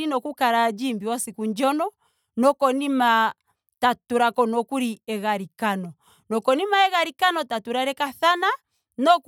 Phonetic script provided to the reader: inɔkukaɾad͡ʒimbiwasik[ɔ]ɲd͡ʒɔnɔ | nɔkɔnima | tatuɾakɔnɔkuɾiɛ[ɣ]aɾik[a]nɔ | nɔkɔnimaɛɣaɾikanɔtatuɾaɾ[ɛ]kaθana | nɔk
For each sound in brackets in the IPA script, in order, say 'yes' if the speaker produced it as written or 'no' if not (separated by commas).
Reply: no, yes, yes, yes